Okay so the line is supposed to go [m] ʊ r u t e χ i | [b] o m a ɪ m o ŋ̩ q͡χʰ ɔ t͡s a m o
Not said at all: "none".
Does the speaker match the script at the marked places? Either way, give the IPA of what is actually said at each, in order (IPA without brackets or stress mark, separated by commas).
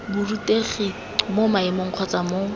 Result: b, m